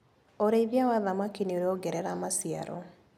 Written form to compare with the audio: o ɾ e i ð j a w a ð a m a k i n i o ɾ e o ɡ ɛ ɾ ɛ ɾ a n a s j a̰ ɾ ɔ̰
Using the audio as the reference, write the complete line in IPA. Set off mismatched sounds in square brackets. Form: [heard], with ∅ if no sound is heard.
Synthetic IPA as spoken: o ɾ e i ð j a w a ð a m a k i n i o ɾ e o ɡ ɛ ɾ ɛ ɾ a [m] a s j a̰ ɾ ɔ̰

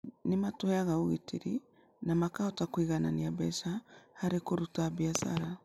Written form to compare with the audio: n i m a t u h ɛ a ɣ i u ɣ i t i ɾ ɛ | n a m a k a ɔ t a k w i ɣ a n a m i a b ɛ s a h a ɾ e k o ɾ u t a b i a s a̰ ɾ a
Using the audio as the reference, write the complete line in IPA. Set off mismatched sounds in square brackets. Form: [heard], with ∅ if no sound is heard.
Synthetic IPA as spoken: n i m a t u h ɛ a ɣ [a] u ɣ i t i ɾ [i] | n a m a k a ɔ t a k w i ɣ a n a [n] i a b ɛ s a h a ɾ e k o ɾ u t a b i a s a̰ ɾ a

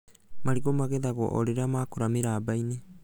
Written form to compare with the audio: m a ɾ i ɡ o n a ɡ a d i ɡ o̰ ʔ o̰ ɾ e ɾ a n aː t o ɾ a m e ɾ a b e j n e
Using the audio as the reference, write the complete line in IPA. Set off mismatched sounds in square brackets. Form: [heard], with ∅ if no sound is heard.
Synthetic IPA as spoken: m a ɾ i ɡ o [m] a ɡ [e] d [a] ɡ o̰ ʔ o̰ ɾ e ɾ a [m] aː [k] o ɾ a m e ɾ a b [a] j n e

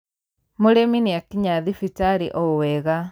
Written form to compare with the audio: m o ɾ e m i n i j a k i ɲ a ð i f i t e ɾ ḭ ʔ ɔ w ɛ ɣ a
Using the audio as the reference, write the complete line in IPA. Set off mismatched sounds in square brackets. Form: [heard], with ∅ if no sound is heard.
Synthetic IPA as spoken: m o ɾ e m i n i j a k i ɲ a ð i f i t [a] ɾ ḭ ʔ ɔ w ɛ ɣ a

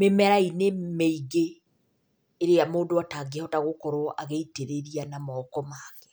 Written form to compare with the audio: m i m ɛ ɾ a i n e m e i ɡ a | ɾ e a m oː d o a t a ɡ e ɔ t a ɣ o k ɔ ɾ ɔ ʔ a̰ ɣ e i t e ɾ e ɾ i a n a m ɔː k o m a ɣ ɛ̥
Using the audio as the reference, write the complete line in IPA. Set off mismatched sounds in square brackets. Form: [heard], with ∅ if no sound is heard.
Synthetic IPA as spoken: m [e] m ɛ ɾ a i n e m e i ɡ [e] | ɾ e a m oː d o a t a ɡ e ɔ t a ɣ o k ɔ ɾ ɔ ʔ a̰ ɣ e i t e ɾ e ɾ i a n a m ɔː k [ɔ] m a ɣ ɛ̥

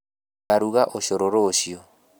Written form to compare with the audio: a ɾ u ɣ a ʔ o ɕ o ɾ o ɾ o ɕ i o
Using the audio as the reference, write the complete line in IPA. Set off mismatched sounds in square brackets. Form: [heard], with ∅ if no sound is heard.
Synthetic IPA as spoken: a ɾ u ɣ a ʔ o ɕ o ɾ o ɾ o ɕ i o

